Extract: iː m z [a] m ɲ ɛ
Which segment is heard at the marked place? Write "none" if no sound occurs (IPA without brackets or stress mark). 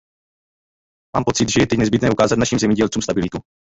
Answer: ɛ